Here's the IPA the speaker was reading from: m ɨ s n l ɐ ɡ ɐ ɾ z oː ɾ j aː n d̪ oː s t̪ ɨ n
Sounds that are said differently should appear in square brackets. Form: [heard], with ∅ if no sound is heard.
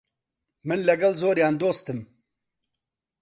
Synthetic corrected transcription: m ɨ [∅] n l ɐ ɡ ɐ [l] z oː ɾ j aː n d̪ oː s t̪ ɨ [m]

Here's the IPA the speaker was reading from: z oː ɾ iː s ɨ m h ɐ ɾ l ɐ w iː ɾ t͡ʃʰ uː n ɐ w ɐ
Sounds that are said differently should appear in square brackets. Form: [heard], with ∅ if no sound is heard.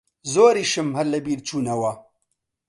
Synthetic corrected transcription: z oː ɾ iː [ʃ] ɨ m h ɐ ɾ l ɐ [b] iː ɾ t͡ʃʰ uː n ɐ w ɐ

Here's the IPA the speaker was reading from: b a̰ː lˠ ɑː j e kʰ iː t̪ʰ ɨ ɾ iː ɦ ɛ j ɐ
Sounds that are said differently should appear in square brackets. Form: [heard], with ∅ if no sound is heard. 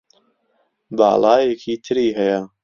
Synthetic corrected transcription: b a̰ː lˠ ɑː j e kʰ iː t̪ʰ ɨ ɾ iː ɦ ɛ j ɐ

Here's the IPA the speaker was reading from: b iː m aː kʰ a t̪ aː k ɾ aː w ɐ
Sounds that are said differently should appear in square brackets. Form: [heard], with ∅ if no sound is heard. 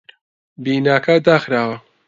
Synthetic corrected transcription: b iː [n] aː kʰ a [d̪] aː [x] ɾ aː w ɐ

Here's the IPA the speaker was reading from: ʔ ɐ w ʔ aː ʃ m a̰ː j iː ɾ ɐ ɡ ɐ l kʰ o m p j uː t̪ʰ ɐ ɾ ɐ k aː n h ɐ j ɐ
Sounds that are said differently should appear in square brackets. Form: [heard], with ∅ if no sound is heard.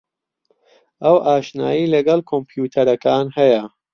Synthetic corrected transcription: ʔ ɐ w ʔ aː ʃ [n] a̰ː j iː [l] ɐ ɡ ɐ l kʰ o m p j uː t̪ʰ ɐ ɾ ɐ k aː n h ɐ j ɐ

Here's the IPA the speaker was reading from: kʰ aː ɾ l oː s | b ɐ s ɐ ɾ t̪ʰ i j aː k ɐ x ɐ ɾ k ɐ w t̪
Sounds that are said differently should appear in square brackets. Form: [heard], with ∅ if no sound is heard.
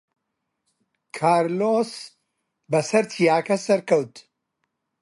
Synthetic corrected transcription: kʰ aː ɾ l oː s | b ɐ s ɐ ɾ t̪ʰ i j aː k ɐ [s] ɐ ɾ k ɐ w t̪

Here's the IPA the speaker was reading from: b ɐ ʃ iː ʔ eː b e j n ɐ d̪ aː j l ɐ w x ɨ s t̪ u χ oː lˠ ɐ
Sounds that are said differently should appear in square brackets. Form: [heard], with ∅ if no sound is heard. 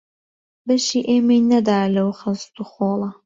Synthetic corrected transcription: b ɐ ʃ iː ʔ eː [m] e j n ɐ d̪ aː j l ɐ w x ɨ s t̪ u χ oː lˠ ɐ

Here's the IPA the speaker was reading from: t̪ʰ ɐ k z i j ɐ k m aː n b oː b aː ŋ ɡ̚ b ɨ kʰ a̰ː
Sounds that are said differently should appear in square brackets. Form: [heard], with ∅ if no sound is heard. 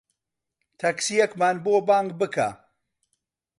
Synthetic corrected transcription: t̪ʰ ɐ k [s] i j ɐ k m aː n b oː b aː ŋ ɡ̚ b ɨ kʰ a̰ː

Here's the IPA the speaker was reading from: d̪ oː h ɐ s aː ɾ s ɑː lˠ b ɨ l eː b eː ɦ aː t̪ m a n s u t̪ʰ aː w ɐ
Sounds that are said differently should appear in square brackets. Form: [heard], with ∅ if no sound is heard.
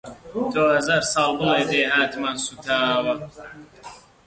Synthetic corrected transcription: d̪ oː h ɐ [z] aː ɾ s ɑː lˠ b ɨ l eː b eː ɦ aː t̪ m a n s u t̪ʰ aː w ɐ

